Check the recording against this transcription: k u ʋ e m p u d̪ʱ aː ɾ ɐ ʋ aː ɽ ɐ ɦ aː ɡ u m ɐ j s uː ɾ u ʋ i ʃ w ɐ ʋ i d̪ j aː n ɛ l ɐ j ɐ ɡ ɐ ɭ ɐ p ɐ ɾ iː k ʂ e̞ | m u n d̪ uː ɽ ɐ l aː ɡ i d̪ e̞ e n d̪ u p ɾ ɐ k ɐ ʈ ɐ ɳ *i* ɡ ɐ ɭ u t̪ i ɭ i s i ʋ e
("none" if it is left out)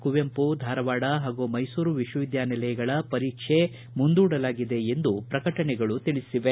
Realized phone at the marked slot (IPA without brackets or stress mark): ɛ